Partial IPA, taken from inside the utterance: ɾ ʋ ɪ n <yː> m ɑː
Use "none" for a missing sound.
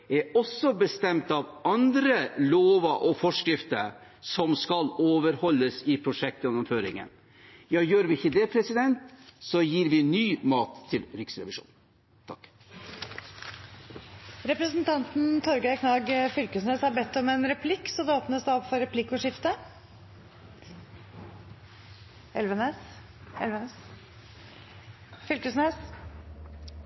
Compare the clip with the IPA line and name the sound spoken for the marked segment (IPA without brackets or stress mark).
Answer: yː